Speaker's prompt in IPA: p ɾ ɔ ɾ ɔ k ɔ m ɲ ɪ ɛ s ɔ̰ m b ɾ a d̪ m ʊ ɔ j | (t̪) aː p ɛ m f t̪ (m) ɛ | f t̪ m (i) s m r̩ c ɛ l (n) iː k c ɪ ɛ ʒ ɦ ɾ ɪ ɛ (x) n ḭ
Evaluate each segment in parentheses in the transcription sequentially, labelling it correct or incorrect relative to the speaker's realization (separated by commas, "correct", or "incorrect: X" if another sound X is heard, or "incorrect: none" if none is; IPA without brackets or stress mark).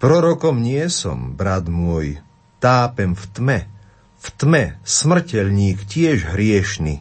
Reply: correct, correct, incorrect: ɛ, incorrect: ɲ, incorrect: ʃ